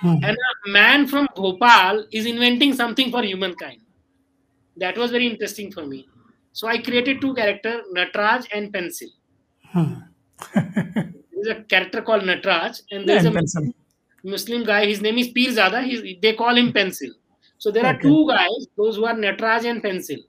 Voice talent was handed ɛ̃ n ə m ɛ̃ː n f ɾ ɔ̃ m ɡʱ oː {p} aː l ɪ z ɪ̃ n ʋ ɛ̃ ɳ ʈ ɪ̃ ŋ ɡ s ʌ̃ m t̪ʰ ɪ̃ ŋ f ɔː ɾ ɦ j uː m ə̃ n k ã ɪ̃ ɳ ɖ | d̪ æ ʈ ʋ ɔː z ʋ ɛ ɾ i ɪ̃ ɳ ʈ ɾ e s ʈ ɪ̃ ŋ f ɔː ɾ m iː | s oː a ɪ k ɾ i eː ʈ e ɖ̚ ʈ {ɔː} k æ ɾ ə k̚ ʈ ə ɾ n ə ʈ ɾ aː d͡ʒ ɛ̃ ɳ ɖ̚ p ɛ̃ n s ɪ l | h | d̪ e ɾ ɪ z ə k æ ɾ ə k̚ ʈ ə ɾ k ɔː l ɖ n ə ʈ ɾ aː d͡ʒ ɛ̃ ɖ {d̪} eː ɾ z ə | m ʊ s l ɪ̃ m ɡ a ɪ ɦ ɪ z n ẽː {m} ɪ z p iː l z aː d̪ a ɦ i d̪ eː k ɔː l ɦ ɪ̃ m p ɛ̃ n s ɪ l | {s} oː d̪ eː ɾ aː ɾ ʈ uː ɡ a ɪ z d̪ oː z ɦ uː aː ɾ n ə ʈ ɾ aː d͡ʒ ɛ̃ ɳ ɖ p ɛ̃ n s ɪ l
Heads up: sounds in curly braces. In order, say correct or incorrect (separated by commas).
correct, incorrect, correct, correct, correct